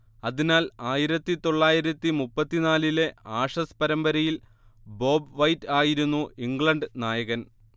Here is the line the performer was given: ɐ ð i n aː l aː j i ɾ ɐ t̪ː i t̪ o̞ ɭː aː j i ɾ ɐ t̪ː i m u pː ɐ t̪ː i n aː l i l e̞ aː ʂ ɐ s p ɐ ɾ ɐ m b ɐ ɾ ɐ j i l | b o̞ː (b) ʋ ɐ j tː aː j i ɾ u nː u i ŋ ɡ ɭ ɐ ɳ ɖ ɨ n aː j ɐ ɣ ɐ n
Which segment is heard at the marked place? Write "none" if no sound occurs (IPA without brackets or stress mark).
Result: b